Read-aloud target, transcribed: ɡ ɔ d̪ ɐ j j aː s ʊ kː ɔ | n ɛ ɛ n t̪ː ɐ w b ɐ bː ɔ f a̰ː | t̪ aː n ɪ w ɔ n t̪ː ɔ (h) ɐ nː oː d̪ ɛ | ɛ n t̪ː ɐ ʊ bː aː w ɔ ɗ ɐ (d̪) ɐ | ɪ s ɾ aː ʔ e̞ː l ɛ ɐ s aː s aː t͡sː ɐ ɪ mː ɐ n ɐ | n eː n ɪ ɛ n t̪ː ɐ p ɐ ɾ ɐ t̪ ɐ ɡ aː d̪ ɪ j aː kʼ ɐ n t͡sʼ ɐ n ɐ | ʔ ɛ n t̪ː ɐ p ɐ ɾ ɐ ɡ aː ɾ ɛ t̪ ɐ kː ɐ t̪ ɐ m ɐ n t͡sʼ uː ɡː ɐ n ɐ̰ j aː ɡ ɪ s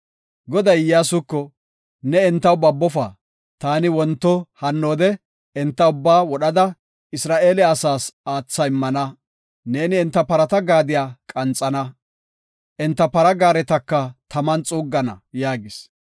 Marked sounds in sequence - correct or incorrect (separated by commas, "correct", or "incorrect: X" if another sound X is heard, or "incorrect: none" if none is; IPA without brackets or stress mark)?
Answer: correct, correct